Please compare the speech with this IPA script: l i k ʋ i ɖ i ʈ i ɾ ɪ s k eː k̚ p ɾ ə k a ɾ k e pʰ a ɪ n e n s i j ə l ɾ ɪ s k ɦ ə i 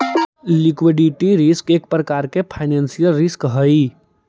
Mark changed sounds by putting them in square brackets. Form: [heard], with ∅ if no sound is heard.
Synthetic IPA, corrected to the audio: l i k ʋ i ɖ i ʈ i ɾ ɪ s k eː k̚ p ɾ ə k a ɾ k e pʰ a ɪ n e n s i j ə l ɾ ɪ s k ɦ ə i